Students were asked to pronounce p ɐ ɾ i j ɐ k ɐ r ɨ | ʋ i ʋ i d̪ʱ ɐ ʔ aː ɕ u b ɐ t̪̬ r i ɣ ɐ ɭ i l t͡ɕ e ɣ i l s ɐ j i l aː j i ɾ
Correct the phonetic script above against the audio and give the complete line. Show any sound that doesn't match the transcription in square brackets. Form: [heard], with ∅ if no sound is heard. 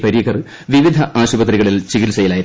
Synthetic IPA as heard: p ɐ ɾ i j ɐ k ɐ r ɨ | ʋ i ʋ i d̪ʱ ɐ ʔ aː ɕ u b ɐ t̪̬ r i ɣ ɐ ɭ i l t͡ɕ [i] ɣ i l s ɐ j i l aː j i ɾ